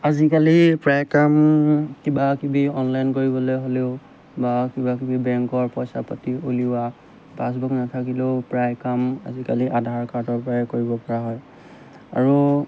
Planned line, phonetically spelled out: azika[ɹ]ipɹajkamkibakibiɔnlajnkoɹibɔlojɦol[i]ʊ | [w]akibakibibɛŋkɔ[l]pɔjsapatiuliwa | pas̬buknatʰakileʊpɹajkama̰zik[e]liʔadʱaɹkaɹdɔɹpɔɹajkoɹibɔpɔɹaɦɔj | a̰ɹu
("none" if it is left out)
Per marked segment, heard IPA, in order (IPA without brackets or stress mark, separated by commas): l, e, b, ɹ, a